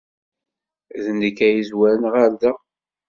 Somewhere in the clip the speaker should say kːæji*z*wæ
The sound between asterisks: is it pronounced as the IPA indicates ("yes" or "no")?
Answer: yes